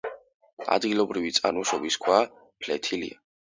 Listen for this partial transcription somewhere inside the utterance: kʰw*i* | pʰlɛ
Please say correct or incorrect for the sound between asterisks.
incorrect